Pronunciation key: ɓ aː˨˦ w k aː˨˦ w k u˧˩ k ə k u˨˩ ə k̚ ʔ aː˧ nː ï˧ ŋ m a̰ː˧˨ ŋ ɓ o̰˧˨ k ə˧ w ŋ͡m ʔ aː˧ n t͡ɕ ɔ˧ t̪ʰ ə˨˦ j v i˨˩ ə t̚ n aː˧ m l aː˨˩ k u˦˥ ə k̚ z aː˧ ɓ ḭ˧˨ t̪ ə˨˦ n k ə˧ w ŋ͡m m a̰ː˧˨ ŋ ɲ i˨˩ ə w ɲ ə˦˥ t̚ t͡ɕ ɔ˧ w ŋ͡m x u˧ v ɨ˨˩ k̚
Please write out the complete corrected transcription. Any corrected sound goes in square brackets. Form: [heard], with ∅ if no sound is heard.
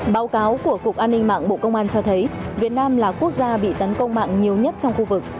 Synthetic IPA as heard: ɓ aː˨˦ w k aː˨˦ w k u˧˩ [∅] ə k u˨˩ ə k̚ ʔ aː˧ nː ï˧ ŋ m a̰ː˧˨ ŋ ɓ o̰˧˨ k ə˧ w ŋ͡m ʔ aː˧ n t͡ɕ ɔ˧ t̪ʰ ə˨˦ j v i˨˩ ə t̚ n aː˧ m l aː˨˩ k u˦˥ ə k̚ z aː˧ ɓ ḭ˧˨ t̪ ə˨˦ n k ə˧ w ŋ͡m m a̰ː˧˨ ŋ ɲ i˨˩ ə w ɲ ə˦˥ t̚ t͡ɕ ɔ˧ w ŋ͡m x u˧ v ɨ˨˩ k̚